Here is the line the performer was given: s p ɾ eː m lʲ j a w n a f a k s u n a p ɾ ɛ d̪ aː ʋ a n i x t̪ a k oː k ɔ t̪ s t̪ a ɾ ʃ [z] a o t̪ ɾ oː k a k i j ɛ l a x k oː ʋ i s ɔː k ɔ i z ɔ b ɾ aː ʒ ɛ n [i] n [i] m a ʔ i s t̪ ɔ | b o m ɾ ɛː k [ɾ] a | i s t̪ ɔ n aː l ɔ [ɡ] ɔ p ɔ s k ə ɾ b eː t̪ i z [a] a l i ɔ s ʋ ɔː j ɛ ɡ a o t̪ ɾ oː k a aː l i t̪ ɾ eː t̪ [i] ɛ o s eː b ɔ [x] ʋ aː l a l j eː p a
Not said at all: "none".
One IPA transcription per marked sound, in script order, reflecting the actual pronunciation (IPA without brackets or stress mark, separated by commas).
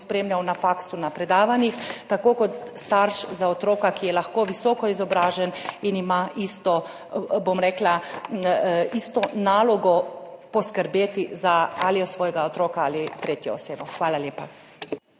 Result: z, i, i, l, ɡ, a, j, x